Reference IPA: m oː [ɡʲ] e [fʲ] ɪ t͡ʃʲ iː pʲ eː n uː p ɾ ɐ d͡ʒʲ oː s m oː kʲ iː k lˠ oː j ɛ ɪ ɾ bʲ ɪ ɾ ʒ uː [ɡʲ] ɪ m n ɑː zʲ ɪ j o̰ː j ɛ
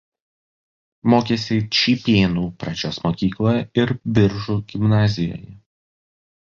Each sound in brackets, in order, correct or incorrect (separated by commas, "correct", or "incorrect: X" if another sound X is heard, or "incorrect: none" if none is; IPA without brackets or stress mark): incorrect: kʲ, incorrect: sʲ, correct